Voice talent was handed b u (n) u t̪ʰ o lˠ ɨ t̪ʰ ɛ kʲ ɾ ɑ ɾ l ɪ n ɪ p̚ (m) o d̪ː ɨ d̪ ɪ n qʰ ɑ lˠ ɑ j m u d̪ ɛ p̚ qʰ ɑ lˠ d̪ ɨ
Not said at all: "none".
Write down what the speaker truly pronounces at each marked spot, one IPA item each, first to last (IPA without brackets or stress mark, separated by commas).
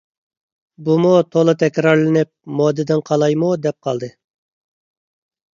m, m